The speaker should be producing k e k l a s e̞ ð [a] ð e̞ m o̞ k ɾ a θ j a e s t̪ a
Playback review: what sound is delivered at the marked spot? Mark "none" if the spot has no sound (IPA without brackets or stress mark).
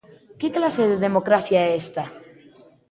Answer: e